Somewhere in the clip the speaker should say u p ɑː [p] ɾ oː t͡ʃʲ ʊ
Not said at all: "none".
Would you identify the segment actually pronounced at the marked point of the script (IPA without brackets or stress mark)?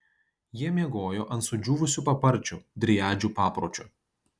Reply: p